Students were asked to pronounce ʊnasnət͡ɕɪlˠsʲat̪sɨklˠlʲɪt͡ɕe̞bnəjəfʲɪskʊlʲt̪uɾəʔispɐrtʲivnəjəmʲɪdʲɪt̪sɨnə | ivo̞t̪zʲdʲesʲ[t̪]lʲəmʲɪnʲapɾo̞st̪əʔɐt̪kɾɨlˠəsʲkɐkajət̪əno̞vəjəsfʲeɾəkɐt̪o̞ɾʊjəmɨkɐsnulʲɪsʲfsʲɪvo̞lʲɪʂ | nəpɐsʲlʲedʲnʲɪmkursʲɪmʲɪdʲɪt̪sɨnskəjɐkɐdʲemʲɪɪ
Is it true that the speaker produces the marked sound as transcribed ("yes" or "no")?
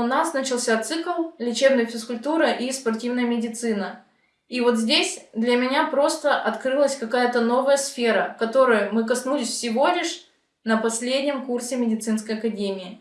no